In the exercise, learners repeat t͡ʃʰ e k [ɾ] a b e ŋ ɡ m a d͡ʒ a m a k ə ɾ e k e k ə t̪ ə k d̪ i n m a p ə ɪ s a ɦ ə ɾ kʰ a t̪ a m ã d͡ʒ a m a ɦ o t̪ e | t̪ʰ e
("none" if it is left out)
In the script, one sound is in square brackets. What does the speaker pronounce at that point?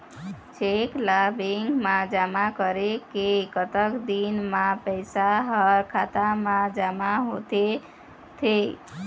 l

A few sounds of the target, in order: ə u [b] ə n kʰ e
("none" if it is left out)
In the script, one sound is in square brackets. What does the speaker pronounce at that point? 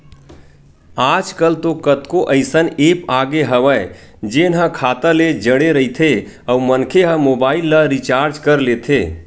m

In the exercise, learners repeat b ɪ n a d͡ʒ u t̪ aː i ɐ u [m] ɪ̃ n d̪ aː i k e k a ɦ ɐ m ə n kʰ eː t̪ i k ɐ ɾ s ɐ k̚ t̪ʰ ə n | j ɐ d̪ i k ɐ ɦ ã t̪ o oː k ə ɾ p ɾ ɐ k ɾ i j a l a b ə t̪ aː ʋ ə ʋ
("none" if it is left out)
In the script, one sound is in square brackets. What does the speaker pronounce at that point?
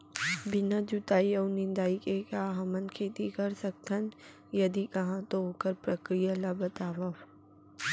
n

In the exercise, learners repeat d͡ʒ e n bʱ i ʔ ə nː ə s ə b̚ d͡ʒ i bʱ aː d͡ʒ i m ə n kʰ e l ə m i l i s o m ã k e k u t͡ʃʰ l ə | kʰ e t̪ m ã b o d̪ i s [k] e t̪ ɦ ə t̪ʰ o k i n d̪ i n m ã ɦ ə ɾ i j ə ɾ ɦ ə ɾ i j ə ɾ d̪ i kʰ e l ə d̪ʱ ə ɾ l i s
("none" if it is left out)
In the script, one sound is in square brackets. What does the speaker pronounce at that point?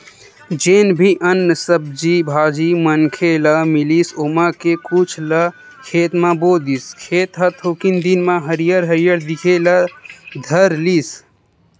kʰ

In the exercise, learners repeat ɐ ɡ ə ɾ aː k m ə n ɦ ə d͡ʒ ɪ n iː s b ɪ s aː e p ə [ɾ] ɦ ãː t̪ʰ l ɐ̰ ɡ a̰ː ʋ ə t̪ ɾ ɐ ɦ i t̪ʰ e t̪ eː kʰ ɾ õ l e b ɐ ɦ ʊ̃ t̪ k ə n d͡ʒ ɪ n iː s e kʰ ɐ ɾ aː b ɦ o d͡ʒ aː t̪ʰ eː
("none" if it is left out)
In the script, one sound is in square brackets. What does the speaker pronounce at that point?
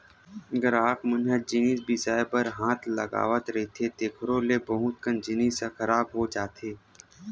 ɾ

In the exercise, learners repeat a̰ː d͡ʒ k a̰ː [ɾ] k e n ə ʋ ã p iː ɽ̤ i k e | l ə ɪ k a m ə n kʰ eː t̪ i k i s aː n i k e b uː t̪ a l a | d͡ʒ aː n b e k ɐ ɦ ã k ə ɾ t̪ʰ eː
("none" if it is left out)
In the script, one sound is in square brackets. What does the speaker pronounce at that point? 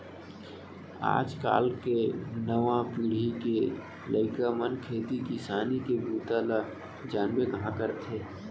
l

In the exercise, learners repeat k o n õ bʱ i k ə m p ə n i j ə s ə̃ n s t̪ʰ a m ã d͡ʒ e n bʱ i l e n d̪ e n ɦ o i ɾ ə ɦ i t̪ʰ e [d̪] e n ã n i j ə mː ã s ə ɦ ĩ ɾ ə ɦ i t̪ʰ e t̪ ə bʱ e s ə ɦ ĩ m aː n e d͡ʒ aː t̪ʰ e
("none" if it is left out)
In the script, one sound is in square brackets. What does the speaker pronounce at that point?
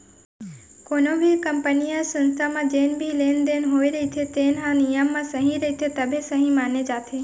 t̪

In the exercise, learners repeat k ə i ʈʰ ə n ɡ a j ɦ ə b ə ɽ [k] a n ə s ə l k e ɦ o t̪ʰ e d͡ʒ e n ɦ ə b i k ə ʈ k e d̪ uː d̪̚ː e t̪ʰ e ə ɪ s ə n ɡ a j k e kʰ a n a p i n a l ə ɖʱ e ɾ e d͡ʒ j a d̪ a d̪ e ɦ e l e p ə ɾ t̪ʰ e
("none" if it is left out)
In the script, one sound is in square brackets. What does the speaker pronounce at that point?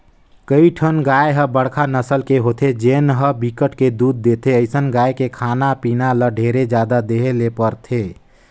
kʰ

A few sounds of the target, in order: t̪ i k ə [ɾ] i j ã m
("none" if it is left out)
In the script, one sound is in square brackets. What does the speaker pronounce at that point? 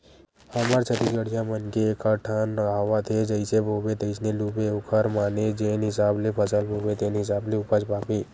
ɽ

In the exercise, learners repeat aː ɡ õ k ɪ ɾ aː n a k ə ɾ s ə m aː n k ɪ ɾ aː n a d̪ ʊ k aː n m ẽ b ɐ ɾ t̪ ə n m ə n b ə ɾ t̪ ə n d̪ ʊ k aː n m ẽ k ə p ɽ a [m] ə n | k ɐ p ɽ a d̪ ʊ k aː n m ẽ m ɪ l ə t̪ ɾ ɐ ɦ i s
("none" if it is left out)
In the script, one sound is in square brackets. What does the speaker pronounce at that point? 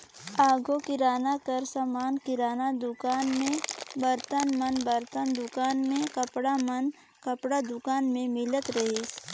m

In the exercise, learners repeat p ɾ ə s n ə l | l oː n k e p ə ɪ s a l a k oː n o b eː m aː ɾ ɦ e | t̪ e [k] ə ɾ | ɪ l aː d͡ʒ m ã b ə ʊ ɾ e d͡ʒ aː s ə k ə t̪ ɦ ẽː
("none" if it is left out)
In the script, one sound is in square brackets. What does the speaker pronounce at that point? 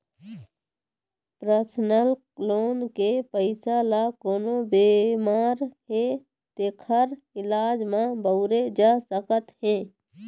kʰ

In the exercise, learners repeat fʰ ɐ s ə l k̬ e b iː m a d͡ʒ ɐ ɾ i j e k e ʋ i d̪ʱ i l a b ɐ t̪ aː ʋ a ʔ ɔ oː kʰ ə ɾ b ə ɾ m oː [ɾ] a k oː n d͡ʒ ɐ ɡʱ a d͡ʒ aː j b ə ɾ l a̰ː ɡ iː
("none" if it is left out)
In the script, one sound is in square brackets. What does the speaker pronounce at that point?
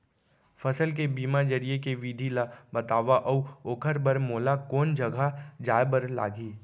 l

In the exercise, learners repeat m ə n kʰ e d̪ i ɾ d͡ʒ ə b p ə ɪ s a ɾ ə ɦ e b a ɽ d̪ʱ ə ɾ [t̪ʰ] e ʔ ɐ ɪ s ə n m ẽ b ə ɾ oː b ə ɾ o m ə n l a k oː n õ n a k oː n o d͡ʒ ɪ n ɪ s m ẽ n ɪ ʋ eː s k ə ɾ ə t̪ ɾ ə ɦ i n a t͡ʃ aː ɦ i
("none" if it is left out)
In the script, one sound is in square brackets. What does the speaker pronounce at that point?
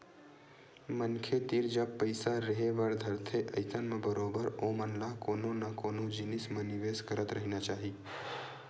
t̪ʰ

